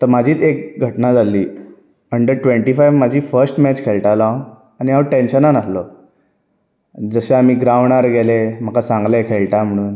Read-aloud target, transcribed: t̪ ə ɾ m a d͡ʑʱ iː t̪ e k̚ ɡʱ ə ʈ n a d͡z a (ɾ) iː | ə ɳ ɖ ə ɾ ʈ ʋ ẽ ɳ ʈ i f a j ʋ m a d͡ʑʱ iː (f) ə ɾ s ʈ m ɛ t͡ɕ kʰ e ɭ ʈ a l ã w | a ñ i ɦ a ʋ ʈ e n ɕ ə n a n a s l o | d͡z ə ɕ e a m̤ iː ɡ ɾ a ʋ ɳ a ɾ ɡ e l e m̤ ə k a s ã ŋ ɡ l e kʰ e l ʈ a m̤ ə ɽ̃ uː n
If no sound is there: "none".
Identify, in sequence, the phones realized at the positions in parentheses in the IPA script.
l, f

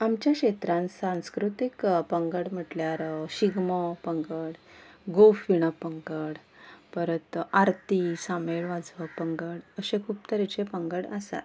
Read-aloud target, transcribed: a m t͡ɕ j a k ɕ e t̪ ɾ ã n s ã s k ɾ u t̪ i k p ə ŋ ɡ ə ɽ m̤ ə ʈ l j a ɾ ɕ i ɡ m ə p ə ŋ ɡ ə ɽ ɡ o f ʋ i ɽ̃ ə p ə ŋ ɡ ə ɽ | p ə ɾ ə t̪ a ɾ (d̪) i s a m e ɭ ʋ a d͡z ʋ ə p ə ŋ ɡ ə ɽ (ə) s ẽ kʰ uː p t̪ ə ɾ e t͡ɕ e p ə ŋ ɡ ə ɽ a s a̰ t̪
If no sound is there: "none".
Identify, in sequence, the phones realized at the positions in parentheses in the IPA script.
t̪, ə

